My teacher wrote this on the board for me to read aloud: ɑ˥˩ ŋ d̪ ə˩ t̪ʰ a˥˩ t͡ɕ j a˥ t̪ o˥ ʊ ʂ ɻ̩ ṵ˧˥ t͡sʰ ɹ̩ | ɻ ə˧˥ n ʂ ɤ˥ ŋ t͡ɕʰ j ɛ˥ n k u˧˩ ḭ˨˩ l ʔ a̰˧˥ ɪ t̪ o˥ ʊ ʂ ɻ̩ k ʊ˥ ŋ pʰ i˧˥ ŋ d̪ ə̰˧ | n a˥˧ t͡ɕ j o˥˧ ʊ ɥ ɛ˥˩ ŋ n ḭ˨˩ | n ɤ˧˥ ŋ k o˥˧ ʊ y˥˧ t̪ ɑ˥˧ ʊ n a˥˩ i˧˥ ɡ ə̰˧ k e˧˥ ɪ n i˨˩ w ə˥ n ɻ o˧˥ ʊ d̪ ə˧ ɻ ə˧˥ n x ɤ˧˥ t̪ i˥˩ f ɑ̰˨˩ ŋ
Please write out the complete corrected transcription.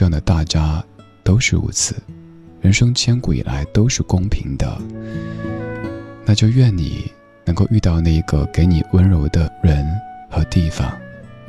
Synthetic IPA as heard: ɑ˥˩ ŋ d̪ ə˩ t̪ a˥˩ t͡ɕ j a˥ t̪ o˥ ʊ ʂ ɻ̩ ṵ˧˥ t͡sʰ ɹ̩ | ɻ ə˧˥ n ʂ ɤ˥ ŋ t͡ɕʰ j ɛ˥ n k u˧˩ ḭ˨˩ l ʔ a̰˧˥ ɪ t̪ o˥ ʊ ʂ ɻ̩ k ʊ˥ ŋ pʰ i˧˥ ŋ d̪ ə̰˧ | n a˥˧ t͡ɕ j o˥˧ ʊ ɥ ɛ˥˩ n n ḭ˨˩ | n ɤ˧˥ ŋ k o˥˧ ʊ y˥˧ t̪ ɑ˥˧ ʊ n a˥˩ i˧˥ ɡ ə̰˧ k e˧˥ ɪ n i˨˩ w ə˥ n ɻ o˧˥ ʊ d̪ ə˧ ɻ ə˧˥ n x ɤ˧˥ t̪ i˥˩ f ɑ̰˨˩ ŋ